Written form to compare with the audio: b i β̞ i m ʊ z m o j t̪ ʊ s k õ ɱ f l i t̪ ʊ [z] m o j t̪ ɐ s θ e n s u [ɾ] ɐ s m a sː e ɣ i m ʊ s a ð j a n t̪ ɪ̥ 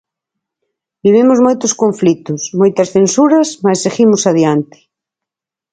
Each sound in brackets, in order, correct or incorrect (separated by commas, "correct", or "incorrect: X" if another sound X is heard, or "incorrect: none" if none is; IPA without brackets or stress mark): incorrect: s, correct